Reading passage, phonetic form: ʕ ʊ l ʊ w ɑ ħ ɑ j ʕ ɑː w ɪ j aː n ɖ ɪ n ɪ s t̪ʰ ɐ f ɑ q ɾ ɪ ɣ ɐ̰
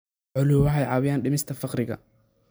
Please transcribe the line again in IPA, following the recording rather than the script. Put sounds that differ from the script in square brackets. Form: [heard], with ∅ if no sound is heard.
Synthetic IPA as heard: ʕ ʊ l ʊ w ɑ ħ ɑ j ʕ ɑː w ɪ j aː n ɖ ɪ [m] ɪ s t̪ʰ ɐ f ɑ q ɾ ɪ ɣ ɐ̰